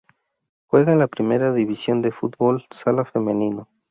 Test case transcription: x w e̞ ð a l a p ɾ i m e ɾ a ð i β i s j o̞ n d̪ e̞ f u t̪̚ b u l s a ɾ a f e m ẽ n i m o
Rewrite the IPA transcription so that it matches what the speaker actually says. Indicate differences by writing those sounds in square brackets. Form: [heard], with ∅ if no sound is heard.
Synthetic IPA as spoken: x w e̞ [ɣ] a l a p ɾ i m e ɾ a ð i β i s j o̞ n d̪ e̞ f u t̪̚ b [o] l s a [l] a f e m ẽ n i [n] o